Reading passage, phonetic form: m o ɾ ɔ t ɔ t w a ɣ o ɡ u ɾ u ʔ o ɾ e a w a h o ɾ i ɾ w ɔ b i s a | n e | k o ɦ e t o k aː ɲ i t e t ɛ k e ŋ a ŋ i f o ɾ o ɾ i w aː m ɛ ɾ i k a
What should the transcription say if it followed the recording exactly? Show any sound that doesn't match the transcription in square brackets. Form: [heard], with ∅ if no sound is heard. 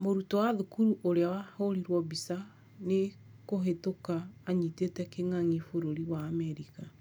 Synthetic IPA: m o ɾ [u] t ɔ [∅] w a [ð] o [k] u ɾ u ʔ o ɾ e a w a h o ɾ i ɾ w ɔ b i s a | n e | k o ɦ e t o k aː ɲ i t e t ɛ k e ŋ a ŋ i f o ɾ o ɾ i w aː m ɛ ɾ i k a